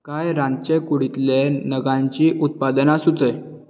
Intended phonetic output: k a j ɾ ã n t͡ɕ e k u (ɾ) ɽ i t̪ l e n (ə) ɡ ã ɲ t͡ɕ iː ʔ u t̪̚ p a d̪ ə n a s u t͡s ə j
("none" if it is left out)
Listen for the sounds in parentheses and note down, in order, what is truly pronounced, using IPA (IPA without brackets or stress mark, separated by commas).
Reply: none, ə